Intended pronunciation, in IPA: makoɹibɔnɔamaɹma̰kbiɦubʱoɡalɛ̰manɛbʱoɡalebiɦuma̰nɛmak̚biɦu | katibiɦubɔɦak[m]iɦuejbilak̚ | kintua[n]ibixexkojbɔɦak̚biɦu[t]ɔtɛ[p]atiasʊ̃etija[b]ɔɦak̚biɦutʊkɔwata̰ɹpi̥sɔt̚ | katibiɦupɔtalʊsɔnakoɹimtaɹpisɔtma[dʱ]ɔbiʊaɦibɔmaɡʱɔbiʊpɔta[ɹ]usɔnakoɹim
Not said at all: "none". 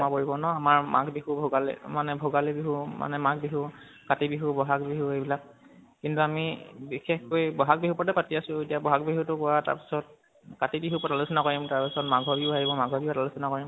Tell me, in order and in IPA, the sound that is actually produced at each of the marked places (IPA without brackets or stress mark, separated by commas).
b, m, p, p, b, ɡʱ, l